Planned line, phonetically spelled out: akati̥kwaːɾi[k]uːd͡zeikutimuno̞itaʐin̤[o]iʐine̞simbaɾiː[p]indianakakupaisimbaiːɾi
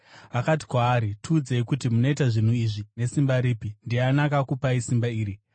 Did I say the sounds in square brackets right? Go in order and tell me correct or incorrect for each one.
incorrect, incorrect, correct

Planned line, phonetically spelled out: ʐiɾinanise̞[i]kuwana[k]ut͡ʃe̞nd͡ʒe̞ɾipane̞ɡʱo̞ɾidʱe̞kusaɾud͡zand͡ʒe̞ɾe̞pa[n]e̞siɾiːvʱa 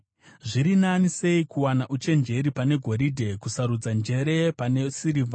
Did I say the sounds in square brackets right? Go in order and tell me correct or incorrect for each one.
correct, incorrect, correct

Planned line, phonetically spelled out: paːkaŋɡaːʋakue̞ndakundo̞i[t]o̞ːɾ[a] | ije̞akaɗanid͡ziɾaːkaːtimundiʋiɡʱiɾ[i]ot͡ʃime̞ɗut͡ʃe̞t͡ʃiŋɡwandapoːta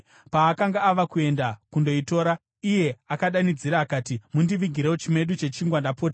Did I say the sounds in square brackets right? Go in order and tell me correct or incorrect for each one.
correct, correct, incorrect

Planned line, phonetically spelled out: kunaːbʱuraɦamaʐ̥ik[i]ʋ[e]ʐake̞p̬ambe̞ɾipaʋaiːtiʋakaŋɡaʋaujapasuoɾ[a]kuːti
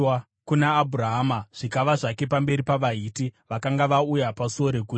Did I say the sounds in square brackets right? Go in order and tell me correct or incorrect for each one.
incorrect, incorrect, incorrect

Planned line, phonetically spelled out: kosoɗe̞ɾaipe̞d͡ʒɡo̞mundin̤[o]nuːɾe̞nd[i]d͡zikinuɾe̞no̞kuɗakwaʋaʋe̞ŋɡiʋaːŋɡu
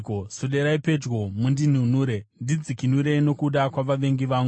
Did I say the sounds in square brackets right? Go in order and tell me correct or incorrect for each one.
incorrect, correct

